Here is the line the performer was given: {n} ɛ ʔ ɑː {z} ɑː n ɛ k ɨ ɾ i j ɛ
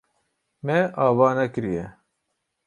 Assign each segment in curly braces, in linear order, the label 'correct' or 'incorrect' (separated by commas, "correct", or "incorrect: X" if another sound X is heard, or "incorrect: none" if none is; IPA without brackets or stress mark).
incorrect: m, incorrect: v